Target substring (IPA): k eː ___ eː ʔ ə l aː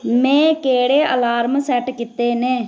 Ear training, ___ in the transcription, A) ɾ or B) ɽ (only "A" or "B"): B